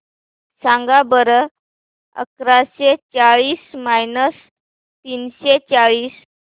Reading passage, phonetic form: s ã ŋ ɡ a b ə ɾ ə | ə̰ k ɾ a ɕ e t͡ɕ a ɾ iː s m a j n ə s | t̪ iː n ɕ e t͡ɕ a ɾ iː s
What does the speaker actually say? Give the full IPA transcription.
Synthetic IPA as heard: s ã ŋ ɡ a b ə ɾ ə | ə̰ k ɾ a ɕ e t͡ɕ a ɭ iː s m a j n ə s | t̪ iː n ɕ e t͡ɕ a ɭ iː s